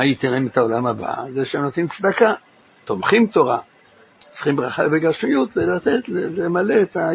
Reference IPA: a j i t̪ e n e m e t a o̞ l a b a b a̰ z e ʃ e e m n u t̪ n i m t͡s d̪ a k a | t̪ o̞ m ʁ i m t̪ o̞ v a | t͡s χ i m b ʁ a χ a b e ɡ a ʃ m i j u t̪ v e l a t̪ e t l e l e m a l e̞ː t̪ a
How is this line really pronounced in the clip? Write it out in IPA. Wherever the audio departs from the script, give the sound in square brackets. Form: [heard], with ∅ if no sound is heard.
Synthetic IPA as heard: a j i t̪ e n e m e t a o̞ l a [m] a b a̰ z e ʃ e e m n [o] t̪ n i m t͡s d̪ a k a | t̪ o̞ m [χ] i m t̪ o̞ [ʁ] a | t͡s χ i m b ʁ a χ a b e ɡ a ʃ m i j u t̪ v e l a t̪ e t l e l e m a l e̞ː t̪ a